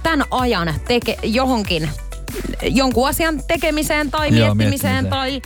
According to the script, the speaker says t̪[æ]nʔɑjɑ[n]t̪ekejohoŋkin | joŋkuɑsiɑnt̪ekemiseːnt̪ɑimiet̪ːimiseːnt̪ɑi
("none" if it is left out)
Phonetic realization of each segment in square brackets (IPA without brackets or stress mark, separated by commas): æ, n